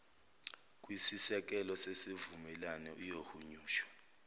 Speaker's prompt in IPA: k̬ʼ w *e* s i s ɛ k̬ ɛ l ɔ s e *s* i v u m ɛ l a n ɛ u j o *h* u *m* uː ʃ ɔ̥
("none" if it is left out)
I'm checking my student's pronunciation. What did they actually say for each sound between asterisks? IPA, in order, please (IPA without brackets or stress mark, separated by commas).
i, s, h, ɲ